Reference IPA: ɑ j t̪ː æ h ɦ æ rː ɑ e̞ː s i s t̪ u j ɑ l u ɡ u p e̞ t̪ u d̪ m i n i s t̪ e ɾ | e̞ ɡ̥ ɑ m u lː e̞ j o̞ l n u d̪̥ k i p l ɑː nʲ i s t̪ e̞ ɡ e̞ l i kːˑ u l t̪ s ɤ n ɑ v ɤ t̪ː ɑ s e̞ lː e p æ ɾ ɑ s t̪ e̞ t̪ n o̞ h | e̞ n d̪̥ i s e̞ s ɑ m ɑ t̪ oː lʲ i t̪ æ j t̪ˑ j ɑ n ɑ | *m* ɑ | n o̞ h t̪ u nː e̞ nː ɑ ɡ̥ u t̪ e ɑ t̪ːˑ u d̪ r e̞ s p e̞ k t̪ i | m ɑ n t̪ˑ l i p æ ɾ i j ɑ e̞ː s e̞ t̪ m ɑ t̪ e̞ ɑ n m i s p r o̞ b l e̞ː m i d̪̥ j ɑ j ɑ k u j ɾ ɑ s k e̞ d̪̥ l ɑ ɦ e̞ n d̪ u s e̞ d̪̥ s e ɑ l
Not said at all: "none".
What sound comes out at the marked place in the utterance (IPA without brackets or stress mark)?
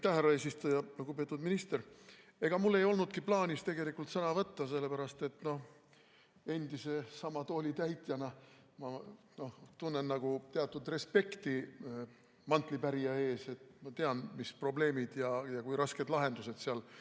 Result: m